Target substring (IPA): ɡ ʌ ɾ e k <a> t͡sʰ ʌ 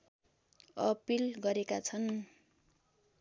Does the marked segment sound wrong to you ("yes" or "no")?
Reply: no